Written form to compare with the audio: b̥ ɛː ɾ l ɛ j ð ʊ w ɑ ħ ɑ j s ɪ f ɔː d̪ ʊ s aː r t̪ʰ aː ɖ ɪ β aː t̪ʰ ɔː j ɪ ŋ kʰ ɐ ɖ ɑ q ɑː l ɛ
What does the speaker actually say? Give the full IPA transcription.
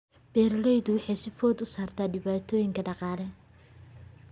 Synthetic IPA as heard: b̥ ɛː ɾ l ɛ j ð ʊ w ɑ ħ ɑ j s ɪ f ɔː d̪ ʊ s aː r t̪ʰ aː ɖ ɪ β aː t̪ʰ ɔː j ɪ ŋ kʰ ɐ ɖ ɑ q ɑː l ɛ

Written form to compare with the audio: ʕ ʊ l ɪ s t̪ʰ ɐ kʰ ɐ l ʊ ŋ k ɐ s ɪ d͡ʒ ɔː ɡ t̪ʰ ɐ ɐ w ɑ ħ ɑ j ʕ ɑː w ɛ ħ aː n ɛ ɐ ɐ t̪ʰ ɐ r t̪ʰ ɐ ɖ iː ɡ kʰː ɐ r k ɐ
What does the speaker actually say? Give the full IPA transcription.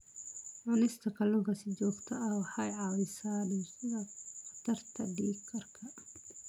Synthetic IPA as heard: ʕ ʊ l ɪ s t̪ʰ ɐ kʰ ɐ l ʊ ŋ k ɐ s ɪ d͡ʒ ɔː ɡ t̪ʰ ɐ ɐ w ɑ ħ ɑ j ʕ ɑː w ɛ s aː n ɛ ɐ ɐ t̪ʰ ɐ r t̪ʰ ɐ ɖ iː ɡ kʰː ɐ r kʰ ɐ

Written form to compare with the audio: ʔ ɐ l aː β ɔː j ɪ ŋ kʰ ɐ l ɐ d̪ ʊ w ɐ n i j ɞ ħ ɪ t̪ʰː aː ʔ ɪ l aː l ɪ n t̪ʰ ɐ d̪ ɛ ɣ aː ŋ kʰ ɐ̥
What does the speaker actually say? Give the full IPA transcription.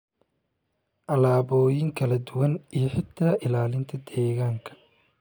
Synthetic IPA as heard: ʔ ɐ l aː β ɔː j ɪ ŋ kʰ ɐ l ɐ d̪ ʊ w ɐ n i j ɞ ħ ɪ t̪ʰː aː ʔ ɪ l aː l ɪ n t̪ʰ ɐ d̪ ɛː ɣ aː ŋ kʰ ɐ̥

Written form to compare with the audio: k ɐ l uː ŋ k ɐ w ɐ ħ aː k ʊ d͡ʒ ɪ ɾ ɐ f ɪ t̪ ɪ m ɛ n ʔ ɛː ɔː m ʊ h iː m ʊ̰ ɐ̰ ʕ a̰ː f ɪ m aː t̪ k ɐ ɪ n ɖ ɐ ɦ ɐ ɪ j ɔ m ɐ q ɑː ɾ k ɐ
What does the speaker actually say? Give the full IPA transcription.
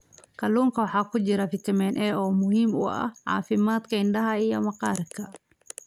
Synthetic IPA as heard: k ɐ l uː ŋ k ɐ w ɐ ħ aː k ʊ d͡ʒ ɪ ɾ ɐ f ɪ t̪ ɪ m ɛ n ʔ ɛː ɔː m ʊ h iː m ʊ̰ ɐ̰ ʕ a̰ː f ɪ m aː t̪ k ɐ ɪ n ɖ ɐ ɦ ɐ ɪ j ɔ m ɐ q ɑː ɾ k ɐ

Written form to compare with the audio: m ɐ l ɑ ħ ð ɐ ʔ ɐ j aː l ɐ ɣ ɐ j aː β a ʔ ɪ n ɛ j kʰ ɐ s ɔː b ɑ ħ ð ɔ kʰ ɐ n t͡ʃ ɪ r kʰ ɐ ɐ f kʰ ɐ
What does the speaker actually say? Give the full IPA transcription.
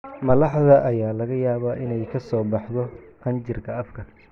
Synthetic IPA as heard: m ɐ l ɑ ħ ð ɐ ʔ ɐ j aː l ɐ ɣ ɐ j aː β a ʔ ɪ n ɛ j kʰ ɐ s ɔː b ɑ ħ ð ɔ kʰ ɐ n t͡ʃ ɪ r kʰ ɐ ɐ f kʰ ɐ

